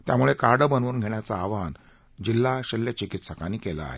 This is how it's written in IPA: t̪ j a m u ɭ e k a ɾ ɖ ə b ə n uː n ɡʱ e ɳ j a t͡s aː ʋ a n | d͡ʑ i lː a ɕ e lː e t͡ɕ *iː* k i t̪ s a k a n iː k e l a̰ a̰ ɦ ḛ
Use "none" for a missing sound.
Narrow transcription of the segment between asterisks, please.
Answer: i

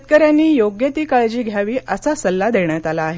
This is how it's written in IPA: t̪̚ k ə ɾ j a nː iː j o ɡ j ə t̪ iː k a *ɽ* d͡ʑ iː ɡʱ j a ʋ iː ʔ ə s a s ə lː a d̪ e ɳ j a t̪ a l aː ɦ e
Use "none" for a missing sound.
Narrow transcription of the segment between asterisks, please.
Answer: ɭ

